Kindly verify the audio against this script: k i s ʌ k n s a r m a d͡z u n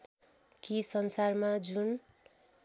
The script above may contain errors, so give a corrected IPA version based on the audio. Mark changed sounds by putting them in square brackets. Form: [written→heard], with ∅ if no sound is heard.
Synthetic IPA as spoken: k i s ʌ [k→∅] n s a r m a d͡z u n